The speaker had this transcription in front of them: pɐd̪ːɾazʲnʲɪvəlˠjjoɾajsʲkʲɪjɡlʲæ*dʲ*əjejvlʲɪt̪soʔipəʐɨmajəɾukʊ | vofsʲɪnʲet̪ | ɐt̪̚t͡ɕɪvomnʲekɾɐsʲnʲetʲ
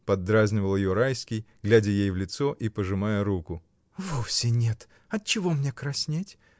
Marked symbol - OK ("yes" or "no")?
yes